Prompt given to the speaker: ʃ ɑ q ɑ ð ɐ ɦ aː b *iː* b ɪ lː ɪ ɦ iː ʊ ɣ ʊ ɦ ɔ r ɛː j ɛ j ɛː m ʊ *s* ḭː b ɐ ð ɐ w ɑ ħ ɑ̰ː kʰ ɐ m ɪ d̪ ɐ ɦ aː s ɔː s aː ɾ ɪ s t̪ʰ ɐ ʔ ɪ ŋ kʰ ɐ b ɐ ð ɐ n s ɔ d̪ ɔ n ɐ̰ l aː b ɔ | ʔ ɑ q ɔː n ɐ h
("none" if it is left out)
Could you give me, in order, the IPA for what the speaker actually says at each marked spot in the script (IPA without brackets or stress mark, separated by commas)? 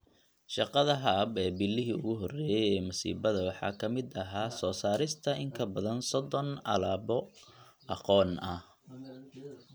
ɛː, s